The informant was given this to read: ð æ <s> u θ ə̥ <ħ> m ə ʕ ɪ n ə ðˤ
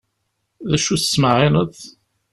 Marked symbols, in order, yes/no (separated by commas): no, no